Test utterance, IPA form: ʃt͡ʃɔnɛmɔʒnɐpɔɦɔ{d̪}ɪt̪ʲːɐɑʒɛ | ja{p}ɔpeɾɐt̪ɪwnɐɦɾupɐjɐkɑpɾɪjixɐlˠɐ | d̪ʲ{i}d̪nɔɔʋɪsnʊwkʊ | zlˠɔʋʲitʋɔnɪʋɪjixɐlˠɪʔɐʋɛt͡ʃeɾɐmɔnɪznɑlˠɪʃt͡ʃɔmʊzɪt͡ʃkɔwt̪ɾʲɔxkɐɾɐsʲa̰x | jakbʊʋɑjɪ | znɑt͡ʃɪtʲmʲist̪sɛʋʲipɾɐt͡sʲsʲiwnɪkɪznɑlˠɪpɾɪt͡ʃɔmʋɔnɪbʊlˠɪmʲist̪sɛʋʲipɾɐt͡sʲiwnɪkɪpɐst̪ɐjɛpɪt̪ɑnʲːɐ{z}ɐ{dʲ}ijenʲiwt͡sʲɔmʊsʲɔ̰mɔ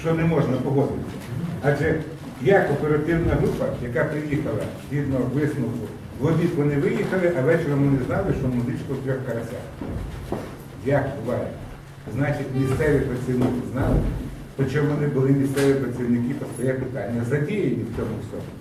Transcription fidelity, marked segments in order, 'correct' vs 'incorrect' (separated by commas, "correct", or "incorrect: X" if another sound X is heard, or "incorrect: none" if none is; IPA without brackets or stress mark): correct, incorrect: k, correct, correct, correct